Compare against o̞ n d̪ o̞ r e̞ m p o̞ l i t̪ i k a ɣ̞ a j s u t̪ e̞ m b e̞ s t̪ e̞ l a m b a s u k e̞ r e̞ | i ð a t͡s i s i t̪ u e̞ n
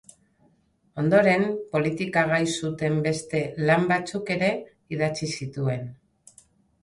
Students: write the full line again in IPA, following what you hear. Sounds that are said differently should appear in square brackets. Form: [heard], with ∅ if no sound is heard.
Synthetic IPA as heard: o̞ n d̪ o̞ [ɾ] e̞ m p o̞ l i t̪ i k a ɣ̞ a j s u t̪ e̞ m b e̞ s t̪ e̞ l a m b a [t͡s] u k e̞ [ɾ] e̞ | i ð a t͡s i s i t̪ u e̞ n